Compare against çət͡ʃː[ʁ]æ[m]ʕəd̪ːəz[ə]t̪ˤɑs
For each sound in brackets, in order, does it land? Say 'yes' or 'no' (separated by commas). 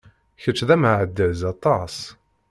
no, yes, no